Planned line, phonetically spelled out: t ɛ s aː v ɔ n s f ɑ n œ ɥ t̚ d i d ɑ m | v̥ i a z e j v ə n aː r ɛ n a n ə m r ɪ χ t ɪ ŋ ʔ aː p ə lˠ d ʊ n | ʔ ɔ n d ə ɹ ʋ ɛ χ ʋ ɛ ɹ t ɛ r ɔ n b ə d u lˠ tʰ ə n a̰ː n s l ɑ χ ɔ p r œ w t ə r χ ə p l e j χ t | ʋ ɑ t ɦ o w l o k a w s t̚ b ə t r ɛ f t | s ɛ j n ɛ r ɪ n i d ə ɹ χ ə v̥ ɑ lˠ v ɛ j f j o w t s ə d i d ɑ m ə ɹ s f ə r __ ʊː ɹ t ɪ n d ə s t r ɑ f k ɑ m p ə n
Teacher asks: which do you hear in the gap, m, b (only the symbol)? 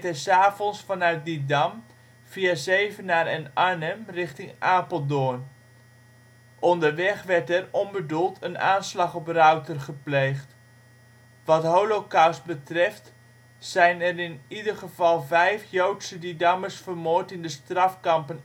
m